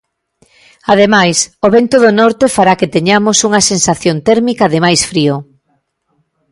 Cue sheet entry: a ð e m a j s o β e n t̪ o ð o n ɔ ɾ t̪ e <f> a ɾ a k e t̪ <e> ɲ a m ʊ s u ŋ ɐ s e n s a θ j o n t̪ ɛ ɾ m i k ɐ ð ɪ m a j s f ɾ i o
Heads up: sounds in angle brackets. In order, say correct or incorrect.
correct, correct

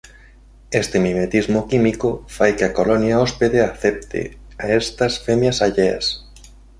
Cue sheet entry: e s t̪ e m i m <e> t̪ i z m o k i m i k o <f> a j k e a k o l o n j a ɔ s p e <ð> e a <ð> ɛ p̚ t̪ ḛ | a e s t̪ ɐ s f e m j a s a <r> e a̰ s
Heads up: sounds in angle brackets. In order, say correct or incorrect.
correct, correct, correct, incorrect: θ, incorrect: ʎ

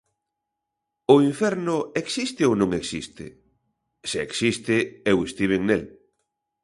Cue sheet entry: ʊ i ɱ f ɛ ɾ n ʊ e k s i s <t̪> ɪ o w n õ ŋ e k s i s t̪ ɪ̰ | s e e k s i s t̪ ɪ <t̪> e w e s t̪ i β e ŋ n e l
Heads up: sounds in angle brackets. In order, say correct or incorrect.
correct, incorrect: none

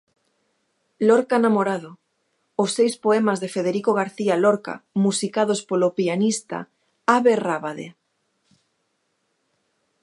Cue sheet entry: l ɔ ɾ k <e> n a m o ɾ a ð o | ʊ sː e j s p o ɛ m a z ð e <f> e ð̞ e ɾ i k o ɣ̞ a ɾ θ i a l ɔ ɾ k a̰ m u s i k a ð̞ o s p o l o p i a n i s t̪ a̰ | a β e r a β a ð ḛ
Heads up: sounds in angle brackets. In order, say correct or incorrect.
incorrect: a, correct

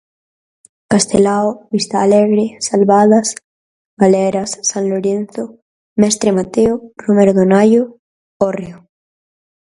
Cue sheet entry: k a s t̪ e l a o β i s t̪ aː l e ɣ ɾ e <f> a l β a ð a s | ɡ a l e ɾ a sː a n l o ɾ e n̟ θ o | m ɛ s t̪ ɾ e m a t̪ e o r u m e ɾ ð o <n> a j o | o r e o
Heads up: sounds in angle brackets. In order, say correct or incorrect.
incorrect: s, correct

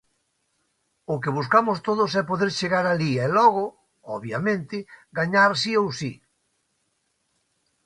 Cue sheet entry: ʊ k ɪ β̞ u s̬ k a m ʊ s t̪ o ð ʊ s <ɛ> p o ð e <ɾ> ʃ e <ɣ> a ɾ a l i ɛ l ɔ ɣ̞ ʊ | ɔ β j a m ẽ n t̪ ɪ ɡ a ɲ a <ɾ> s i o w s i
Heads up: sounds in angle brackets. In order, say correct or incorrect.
correct, correct, correct, correct

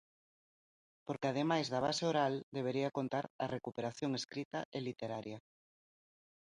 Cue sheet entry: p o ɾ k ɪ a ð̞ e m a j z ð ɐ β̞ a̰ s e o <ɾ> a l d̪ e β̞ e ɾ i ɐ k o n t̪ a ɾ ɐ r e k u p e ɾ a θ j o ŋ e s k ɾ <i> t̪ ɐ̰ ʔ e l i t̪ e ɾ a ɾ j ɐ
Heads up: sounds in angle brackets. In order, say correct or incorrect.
correct, correct

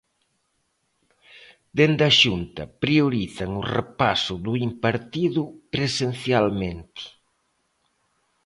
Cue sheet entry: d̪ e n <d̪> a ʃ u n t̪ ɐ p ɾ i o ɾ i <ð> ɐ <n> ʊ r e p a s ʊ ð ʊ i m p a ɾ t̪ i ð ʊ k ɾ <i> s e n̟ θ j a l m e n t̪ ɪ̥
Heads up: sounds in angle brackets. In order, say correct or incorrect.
correct, incorrect: θ, incorrect: ŋ, incorrect: e

